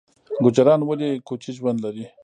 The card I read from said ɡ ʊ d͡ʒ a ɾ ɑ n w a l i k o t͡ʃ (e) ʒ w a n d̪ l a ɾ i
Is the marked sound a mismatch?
yes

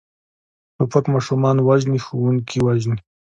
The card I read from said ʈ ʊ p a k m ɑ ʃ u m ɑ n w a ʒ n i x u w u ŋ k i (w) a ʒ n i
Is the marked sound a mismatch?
no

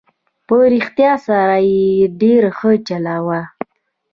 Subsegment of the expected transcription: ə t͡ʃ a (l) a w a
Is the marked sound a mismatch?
no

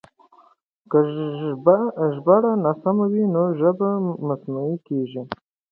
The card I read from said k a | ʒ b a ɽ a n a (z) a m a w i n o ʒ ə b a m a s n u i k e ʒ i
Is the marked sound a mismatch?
yes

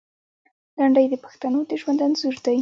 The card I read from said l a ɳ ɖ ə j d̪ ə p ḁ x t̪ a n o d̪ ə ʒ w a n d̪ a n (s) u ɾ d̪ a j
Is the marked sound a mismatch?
yes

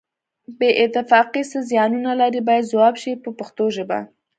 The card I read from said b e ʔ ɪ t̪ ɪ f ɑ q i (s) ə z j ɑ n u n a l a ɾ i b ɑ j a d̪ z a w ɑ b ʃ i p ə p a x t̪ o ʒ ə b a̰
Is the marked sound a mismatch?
no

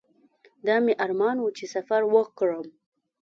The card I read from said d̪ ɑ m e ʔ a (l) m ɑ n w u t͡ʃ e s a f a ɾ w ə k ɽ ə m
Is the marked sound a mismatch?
yes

